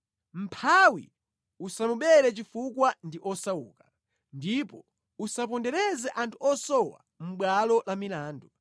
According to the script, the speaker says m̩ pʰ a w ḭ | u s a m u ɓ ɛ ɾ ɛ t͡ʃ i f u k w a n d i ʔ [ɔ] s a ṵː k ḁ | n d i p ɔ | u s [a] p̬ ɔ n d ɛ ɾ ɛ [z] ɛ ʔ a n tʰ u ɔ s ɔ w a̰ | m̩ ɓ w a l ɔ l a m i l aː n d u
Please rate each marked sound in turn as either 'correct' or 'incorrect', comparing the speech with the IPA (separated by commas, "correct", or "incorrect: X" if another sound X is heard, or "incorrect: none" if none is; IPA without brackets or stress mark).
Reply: correct, correct, correct